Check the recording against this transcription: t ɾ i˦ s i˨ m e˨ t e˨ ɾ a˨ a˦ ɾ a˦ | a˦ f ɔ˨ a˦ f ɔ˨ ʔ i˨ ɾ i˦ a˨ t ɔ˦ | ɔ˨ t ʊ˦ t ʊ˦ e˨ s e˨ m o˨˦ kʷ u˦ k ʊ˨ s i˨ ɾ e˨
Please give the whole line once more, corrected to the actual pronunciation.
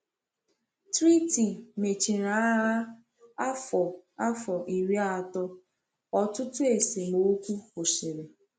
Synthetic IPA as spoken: t ɾ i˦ t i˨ m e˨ t͡ʃ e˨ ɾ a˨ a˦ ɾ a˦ | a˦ f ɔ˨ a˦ f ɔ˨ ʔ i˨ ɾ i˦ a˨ t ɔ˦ | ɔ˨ t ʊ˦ t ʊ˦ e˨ s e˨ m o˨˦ kʷ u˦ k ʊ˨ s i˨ ɾ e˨